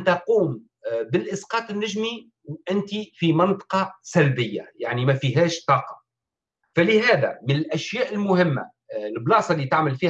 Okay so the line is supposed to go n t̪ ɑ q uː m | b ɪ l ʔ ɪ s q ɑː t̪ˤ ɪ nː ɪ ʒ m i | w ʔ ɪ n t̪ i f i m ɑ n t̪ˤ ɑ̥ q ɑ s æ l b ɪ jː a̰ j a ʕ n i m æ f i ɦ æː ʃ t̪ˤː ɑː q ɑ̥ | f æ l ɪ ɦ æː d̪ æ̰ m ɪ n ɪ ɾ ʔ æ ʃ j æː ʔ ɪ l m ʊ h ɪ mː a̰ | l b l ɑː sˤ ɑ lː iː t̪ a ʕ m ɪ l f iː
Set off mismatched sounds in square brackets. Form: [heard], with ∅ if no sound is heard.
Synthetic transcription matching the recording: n t̪ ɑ q uː m | b ɪ l ʔ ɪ s q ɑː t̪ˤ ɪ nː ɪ ʒ m i | w ʔ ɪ n t̪ i f i m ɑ n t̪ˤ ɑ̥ q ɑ s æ l b ɪ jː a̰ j a ʕ n i m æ f i ɦ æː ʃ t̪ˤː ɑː q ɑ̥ | f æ l ɪ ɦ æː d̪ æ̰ m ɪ n ɪ [l] ʔ æ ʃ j æː ʔ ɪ l m ʊ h ɪ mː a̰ | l b l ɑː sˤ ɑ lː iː t̪ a ʕ m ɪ l f iː

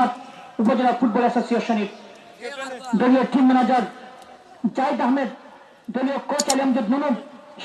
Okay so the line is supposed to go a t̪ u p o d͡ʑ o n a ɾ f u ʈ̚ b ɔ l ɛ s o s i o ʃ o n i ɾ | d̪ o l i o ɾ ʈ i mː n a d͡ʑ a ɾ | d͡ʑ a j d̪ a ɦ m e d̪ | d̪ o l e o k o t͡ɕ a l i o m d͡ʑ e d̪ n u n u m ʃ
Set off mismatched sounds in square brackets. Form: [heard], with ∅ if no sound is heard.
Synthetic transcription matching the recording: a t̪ u p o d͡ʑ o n a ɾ f u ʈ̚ b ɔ l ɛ s o s i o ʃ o n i ɾ | d̪ o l i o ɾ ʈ i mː n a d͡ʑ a ɾ | d͡ʑ a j d̪ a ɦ m e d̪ | d̪ o l [i] o k o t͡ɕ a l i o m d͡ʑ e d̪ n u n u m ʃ

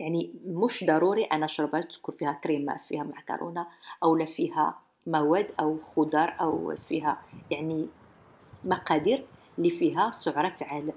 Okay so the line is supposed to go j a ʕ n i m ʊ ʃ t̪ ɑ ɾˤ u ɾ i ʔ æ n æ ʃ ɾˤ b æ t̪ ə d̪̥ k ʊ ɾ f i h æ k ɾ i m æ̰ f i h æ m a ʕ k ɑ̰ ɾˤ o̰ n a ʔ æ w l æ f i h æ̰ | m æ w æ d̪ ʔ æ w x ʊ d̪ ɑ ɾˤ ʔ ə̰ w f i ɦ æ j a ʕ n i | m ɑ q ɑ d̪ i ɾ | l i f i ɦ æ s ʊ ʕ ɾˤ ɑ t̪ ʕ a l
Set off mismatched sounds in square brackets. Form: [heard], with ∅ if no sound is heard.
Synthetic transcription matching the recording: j a ʕ n i m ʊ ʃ [d̪] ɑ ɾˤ u ɾ i ʔ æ n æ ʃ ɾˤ b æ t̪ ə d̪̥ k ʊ ɾ f i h æ k ɾ i m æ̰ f i h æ m a ʕ k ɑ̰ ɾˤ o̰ n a ʔ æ w l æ f i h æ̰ | m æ w æ d̪ ʔ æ w x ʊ d̪ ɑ ɾˤ ʔ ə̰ w f i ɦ æ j a ʕ n i | m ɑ q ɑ d̪ i ɾ | l i f i ɦ æ s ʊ ʕ ɾˤ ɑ t̪ ʕ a l

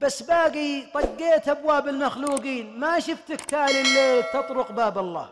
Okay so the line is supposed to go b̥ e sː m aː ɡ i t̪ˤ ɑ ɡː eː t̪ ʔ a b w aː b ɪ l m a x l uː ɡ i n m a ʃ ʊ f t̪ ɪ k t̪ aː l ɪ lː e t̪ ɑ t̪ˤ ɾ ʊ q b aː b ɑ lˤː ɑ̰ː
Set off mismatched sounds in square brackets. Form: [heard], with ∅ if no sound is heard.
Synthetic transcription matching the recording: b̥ [a] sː [b] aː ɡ i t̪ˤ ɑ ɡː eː t̪ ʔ a b w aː b ɪ l m a x l uː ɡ [iː] n m a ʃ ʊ f t̪ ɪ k t̪ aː l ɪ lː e t̪ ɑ t̪ˤ ɾ ʊ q b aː b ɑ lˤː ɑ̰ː

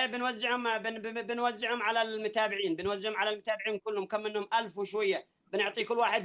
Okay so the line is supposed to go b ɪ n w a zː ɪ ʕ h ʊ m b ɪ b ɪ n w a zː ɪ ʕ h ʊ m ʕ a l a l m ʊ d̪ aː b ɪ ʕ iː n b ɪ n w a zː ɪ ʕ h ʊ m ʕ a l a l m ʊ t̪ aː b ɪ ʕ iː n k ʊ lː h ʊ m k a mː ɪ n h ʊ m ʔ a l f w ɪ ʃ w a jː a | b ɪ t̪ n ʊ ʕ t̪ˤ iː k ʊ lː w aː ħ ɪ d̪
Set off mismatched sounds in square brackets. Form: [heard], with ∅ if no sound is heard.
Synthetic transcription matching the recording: b ɪ n w a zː ɪ ʕ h ʊ m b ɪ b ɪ n w a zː ɪ ʕ h ʊ m ʕ a l a l m ʊ [t̪] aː b ɪ ʕ iː n b ɪ n w a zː ɪ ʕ h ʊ m ʕ a l a l m ʊ t̪ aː b ɪ ʕ iː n k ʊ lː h ʊ m k a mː ɪ n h ʊ m ʔ a l f w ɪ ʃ w a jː a | b ɪ [∅] n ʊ ʕ t̪ˤ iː k ʊ lː w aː ħ ɪ d̪

